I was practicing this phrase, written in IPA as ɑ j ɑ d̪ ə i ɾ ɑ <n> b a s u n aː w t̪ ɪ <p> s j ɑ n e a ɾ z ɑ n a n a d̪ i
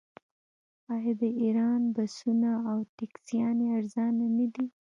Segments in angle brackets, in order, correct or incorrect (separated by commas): correct, incorrect